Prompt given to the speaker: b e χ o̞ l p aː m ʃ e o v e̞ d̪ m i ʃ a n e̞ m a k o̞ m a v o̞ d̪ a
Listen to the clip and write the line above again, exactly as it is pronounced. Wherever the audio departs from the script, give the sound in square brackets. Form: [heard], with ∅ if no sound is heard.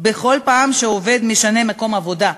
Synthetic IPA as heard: b e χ o̞ l p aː m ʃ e o v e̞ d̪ m i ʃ a n e̞ m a k o̞ m a v o̞ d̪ a